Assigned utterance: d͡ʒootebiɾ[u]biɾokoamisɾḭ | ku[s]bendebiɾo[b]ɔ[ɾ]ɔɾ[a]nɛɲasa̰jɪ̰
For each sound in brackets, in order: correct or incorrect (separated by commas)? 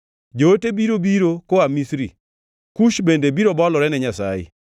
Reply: incorrect, incorrect, correct, incorrect, incorrect